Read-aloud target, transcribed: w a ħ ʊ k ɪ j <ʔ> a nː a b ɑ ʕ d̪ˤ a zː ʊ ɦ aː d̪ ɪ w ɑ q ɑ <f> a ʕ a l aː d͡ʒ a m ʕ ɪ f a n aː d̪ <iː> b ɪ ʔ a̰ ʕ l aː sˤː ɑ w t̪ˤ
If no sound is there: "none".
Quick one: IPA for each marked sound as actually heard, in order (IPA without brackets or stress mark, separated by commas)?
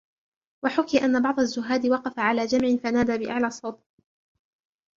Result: ʔ, f, aː